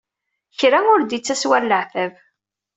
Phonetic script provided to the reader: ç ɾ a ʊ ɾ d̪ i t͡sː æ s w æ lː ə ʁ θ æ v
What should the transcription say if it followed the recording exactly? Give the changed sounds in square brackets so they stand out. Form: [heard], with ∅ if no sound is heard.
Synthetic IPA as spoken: ç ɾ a ʊ ɾ d̪ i t͡sː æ s w æ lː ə [ʕ] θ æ v